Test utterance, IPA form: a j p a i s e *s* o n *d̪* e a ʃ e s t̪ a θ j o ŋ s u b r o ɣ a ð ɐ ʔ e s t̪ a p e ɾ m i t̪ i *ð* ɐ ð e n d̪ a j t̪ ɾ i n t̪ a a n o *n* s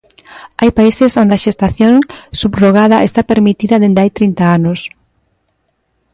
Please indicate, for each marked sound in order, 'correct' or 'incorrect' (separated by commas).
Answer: correct, correct, correct, incorrect